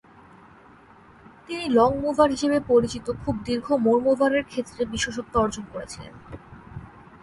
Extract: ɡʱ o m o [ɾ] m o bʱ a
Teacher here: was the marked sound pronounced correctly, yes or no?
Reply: yes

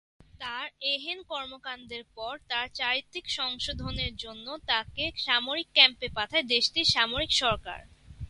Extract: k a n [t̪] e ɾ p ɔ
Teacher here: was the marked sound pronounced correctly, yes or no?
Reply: no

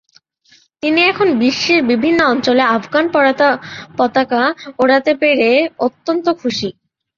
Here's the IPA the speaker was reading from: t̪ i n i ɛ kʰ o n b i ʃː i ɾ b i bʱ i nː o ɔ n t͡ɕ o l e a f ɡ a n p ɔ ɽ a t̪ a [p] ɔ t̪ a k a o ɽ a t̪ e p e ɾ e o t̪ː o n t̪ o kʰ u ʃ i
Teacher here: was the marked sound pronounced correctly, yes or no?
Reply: yes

